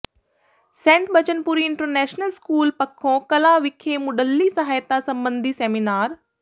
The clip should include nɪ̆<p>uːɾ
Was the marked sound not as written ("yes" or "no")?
no